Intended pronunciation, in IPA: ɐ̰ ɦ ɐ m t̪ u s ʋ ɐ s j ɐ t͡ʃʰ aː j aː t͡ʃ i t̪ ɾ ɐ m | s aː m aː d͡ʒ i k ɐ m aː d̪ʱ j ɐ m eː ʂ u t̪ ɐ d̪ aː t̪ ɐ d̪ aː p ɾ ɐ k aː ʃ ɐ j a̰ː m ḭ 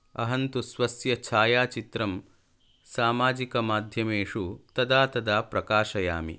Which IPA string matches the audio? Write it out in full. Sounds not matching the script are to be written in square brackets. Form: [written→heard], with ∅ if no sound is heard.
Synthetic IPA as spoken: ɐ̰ ɦ ɐ [m→n] t̪ u s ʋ ɐ s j ɐ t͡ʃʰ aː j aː t͡ʃ i t̪ ɾ ɐ m | s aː m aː d͡ʒ i k ɐ m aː d̪ʱ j ɐ m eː ʂ u t̪ ɐ d̪ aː t̪ ɐ d̪ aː p ɾ ɐ k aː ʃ ɐ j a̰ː m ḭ